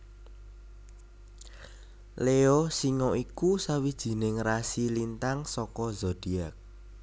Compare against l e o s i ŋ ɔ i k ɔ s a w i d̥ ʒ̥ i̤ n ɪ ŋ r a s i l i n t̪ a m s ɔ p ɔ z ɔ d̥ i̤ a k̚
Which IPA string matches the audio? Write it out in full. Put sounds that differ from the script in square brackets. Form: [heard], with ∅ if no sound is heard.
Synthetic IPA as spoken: l e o s i ŋ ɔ i k [u] s a w i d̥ ʒ̥ i̤ n ɪ ŋ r a s i l i n t̪ a [ŋ] s ɔ [k] ɔ z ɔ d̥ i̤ a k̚